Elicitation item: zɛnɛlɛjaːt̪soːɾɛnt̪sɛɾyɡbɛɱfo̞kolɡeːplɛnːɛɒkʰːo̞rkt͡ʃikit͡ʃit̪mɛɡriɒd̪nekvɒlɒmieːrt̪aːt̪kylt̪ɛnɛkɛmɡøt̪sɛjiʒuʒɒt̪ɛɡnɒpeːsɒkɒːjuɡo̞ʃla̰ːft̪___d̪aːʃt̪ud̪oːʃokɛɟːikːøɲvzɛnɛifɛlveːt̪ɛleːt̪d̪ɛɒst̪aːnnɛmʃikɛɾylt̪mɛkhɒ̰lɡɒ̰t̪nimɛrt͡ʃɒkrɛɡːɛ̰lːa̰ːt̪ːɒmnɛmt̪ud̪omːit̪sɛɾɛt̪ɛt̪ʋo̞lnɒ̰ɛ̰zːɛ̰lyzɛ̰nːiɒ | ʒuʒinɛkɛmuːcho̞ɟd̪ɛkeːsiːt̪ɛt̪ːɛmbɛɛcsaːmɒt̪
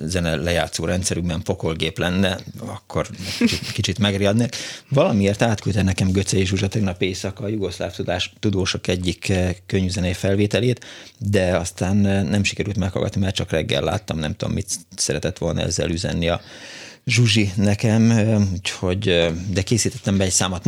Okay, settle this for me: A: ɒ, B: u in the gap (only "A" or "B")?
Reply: B